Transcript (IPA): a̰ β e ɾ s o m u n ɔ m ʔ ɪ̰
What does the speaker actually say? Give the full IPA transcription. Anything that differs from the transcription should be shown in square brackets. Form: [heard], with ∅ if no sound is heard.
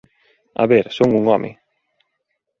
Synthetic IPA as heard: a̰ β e ɾ s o [ŋ] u [ŋ] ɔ m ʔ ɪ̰

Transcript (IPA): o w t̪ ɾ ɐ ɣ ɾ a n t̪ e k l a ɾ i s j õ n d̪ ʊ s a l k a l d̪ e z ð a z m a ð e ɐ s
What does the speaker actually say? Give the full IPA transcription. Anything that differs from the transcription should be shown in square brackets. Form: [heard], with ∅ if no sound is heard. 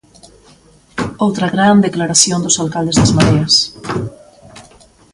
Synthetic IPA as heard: o w t̪ ɾ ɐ ɣ ɾ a n [d̪] e k l a ɾ [a] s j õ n d̪ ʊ s a l k a l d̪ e z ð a z m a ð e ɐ s

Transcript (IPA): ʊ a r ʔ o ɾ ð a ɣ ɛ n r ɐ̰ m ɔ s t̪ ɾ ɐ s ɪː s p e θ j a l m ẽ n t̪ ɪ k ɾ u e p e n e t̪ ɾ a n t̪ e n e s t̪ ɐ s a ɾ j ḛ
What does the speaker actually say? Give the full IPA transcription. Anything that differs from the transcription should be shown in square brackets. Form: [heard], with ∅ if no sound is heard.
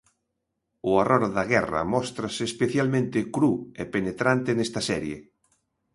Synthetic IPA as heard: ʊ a r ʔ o ɾ ð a ɣ ɛ [∅] r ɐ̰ m ɔ s t̪ ɾ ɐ s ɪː s p e θ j a l m ẽ n t̪ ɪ k ɾ u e p e n e t̪ ɾ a n t̪ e n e s t̪ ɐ s [ɛ] ɾ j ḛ

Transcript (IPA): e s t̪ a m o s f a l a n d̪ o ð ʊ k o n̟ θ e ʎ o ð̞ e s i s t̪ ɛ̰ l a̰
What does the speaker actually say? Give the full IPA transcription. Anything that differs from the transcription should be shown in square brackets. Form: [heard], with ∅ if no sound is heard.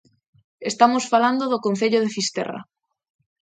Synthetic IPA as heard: e s t̪ a m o s f a l a n d̪ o ð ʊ k o n̟ θ e ʎ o ð̞ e [f] i s t̪ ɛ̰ [r] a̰

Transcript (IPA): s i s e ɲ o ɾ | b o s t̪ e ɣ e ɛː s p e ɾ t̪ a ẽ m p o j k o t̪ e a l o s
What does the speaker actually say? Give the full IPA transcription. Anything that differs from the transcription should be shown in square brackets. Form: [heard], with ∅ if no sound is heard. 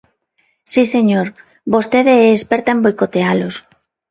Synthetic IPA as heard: s i s e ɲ o ɾ | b o s t̪ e [ð] e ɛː s p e ɾ t̪ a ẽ m [b] o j k o t̪ e a l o s

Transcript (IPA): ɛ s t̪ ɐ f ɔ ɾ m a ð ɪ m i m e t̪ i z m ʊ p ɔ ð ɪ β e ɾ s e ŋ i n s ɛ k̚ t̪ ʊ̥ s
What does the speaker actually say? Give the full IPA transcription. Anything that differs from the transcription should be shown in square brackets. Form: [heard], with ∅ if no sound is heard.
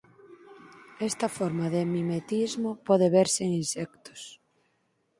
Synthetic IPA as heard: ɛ s t̪ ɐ f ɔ ɾ m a ð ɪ m i m e t̪ i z m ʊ p ɔ ð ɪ β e ɾ s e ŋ i n s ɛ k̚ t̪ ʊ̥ s

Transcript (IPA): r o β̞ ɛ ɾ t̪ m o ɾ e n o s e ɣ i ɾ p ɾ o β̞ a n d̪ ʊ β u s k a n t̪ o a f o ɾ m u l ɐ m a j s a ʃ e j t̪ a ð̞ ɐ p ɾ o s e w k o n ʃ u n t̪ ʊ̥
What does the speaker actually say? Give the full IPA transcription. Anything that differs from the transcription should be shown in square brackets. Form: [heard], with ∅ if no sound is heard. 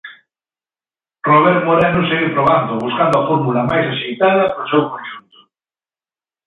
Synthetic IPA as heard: r o β̞ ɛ ɾ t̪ m o ɾ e n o s e ɣ i ɾ p ɾ o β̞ a n d̪ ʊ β u s k a n [d̪] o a f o ɾ m u l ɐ m a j s a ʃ e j t̪ a ð̞ ɐ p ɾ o s e w k o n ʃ u n t̪ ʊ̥

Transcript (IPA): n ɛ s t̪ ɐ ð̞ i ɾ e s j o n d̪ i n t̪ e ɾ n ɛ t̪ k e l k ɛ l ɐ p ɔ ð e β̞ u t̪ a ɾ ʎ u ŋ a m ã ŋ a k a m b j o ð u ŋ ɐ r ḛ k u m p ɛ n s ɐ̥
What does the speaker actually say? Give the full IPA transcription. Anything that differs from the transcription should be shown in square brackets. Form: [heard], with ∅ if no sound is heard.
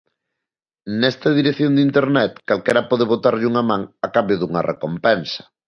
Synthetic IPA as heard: n ɛ s t̪ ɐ ð̞ i ɾ e [θ] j o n d̪ i n t̪ e ɾ n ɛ t̪ k [a] l k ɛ [ɾ] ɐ p ɔ ð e β̞ [o] t̪ a ɾ ʎ u ŋ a m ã ŋ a k a m b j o ð u ŋ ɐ r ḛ k [o] m p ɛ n s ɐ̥

